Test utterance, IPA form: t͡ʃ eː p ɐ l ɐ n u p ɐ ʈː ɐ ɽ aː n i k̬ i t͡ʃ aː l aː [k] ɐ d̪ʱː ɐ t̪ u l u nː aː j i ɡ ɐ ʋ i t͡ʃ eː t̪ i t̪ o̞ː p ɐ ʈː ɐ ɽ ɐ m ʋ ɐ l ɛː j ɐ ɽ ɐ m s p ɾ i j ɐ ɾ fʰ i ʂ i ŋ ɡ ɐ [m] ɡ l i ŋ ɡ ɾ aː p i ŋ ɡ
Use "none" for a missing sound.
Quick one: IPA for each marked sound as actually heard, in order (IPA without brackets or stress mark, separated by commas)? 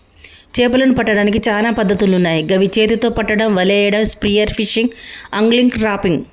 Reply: p, ŋ